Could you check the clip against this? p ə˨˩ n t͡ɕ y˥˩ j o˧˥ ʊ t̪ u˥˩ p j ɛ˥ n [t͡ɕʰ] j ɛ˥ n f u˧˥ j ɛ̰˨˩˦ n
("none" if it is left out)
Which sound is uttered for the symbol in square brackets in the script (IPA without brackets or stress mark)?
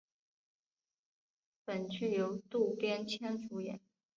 t͡ɕʰ